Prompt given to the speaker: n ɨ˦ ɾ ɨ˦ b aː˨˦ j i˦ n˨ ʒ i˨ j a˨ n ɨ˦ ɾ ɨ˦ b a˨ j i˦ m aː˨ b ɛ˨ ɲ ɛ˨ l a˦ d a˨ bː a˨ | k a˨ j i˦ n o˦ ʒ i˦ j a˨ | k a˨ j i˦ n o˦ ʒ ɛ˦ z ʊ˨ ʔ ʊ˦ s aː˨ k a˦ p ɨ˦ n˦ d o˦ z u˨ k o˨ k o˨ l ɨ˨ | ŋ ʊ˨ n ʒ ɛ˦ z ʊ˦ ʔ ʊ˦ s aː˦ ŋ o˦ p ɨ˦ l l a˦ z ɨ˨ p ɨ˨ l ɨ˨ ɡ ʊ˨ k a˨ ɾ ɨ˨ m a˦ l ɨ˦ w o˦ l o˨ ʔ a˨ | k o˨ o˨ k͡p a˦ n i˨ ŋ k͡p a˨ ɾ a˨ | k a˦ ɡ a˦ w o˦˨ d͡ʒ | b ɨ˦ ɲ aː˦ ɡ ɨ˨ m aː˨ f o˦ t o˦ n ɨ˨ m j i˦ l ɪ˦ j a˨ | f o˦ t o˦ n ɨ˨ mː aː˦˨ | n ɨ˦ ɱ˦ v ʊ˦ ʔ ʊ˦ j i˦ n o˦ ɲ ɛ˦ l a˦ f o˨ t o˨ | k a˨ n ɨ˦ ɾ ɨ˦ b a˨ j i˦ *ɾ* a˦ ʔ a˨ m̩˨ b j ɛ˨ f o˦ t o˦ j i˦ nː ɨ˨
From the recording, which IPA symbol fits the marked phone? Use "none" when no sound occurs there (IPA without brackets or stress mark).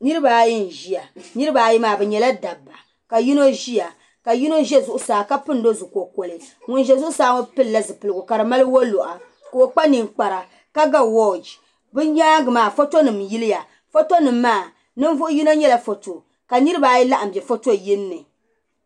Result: l